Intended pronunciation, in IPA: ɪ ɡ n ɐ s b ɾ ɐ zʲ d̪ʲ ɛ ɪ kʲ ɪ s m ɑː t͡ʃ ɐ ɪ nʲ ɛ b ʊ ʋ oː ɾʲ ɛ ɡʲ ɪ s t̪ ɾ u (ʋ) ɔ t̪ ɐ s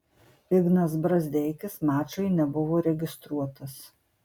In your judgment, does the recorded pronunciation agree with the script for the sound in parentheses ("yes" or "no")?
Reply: no